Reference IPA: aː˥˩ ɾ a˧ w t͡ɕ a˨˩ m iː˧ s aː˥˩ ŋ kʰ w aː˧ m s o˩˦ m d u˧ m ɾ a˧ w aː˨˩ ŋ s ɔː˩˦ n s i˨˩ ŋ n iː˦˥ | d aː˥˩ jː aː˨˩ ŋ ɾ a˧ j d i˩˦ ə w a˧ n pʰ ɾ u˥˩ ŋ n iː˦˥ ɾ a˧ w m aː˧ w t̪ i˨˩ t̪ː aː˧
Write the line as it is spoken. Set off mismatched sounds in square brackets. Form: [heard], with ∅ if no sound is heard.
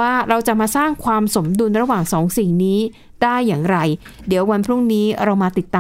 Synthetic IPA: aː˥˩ ɾ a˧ w t͡ɕ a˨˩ m [aː˧] s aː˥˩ ŋ kʰ w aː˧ m s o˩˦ m d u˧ [n] ɾ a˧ w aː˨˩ ŋ s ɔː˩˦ [ŋ] s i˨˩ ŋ n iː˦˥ | d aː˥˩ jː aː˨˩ ŋ ɾ a˧ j d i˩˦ ə w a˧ n pʰ ɾ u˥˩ ŋ n iː˦˥ ɾ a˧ w m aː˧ [∅] t̪ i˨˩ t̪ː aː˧